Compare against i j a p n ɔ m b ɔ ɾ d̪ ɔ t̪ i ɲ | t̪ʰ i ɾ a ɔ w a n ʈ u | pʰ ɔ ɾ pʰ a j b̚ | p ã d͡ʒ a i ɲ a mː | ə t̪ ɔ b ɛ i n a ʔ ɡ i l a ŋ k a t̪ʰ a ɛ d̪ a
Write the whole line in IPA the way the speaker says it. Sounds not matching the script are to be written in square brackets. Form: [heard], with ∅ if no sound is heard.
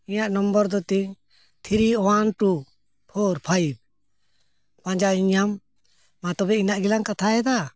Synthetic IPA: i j a [ʔ] n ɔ m b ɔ ɾ d̪ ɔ t̪ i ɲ | t̪ʰ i ɾ [i] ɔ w a n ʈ u | pʰ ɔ ɾ pʰ a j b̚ | p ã d͡ʒ a i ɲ a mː | [a] t̪ ɔ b ɛ i n a ʔ ɡ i l a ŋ k a t̪ʰ a ɛ d̪ a